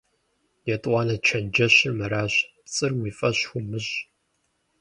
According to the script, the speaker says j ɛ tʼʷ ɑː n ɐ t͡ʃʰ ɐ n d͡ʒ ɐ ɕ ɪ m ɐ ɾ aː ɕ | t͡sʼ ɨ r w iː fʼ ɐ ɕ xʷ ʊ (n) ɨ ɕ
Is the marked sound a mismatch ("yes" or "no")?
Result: yes